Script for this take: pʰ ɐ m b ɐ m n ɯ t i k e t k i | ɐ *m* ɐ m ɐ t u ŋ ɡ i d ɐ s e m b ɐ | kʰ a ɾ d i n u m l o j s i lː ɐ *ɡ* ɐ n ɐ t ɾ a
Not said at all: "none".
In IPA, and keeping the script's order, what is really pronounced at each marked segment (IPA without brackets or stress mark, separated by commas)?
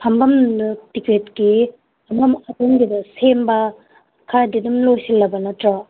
m, b